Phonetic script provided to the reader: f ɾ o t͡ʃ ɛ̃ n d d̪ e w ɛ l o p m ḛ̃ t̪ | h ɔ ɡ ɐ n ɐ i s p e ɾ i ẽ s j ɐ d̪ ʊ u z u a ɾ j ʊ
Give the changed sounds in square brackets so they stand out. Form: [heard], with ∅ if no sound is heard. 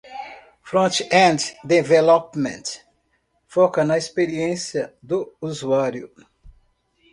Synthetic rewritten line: f ɾ [õ] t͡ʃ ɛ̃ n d d̪ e [v] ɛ l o p m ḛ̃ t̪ | [f] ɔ [k] ɐ n ɐ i s p e ɾ i ẽ s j ɐ d̪ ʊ u z u a ɾ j ʊ